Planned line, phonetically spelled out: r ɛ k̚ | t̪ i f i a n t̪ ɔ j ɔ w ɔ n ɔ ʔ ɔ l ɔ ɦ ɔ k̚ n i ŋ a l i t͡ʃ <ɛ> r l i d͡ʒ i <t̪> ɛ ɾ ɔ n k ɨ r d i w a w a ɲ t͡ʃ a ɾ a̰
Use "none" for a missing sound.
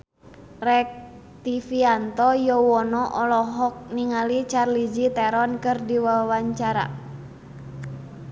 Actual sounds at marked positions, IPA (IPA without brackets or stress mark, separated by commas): a, t̪